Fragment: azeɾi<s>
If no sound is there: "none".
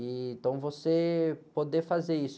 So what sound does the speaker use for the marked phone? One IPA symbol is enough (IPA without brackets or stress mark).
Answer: s